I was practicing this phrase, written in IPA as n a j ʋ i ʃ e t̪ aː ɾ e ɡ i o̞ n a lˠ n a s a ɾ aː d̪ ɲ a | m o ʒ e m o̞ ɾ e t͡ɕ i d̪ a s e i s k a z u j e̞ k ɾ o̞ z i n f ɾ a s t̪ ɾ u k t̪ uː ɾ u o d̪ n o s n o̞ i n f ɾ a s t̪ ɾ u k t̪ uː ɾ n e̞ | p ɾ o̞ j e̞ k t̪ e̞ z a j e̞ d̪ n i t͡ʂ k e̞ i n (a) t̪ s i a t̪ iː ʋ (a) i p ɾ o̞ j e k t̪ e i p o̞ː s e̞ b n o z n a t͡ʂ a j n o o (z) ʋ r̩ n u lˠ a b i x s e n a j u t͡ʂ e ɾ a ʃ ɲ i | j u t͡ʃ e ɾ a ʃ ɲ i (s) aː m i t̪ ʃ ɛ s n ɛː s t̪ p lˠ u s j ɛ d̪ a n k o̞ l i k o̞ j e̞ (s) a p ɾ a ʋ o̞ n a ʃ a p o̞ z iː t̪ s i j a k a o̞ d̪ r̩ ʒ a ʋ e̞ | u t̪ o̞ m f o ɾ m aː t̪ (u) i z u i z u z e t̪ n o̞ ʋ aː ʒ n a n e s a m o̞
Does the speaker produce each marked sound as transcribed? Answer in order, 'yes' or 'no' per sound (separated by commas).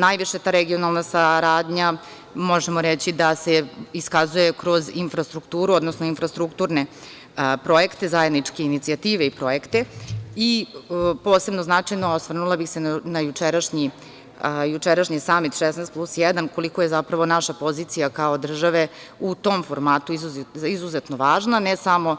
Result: no, no, no, yes, no, yes